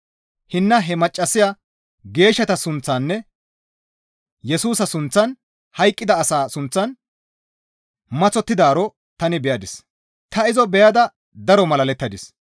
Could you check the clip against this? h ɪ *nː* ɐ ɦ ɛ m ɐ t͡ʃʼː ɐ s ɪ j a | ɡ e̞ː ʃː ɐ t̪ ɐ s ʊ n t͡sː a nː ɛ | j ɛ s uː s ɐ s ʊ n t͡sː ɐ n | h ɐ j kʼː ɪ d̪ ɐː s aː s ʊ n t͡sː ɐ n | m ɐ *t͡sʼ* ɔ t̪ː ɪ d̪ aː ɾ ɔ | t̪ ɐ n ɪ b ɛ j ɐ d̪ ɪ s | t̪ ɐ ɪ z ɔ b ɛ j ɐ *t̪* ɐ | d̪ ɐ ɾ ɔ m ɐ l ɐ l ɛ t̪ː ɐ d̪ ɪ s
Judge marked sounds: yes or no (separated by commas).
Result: yes, no, no